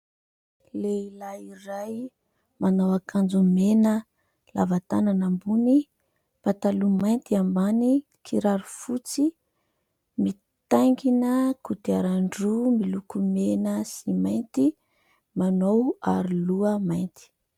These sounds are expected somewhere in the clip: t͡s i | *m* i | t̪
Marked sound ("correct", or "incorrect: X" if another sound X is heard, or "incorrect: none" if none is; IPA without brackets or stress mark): correct